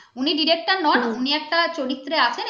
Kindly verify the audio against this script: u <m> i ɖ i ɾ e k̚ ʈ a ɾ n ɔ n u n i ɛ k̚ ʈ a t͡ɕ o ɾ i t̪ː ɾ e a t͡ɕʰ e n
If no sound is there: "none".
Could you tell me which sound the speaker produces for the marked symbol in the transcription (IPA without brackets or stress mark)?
n